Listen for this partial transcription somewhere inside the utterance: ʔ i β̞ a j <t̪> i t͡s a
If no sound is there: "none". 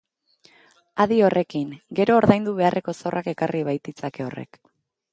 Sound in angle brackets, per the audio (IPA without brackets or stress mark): t̪